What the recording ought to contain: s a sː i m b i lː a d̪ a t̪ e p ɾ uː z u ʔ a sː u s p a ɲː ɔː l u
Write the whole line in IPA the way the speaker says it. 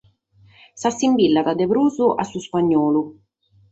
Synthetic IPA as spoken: s a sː i m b i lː a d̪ a d̪ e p ɾ uː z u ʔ a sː u s p a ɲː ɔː l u